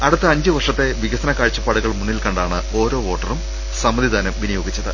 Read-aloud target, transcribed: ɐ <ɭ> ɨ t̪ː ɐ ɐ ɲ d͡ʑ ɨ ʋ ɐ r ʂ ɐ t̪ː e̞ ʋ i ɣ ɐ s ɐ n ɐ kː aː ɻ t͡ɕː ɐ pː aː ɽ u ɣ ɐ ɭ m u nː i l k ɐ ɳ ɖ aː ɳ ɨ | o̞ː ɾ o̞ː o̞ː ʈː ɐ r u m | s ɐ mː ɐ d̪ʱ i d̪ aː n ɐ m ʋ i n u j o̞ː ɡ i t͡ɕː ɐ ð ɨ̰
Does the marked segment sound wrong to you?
yes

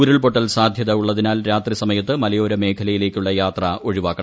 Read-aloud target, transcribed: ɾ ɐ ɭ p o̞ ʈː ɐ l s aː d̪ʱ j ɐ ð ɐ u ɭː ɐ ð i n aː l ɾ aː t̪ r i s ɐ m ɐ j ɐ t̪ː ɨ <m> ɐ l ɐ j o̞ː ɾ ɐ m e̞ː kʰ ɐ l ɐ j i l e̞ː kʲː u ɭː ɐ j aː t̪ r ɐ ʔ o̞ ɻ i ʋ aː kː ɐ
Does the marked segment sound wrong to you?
no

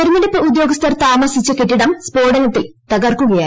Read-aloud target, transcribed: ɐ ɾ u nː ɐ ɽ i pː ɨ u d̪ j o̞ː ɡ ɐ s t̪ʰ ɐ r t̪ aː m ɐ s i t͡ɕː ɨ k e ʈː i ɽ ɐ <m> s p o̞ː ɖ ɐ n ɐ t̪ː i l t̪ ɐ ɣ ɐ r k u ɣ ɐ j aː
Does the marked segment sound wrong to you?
no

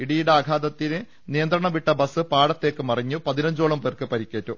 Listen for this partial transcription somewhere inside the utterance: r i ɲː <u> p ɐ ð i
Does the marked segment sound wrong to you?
no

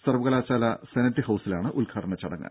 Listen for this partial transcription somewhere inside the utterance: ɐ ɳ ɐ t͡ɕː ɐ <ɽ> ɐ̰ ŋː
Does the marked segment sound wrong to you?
no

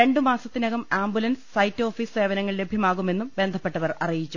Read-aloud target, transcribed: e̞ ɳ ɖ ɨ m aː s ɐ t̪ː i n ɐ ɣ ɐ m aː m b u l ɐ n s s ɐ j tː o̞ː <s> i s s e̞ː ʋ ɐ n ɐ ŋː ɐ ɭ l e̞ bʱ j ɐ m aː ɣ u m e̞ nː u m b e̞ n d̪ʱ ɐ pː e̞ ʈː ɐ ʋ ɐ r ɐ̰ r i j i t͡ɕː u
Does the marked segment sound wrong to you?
yes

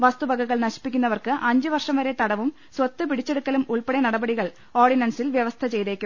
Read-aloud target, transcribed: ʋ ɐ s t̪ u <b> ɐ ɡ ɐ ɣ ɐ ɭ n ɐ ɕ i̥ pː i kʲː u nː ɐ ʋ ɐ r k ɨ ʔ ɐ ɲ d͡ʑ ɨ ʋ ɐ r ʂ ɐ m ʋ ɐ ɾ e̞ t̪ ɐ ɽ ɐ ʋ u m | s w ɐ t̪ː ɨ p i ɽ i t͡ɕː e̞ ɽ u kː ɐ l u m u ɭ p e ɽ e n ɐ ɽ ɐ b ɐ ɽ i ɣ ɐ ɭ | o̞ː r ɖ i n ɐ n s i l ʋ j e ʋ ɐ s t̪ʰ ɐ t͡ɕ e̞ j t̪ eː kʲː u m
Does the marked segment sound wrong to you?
no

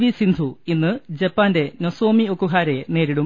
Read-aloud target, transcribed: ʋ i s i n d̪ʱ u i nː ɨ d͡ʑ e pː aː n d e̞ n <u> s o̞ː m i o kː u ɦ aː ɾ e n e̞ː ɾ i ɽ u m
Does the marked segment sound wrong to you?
yes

